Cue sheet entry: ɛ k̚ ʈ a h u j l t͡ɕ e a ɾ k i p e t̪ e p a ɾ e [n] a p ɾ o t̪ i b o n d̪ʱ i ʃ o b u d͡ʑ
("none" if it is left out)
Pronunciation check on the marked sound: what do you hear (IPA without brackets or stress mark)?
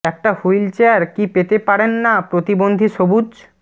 nː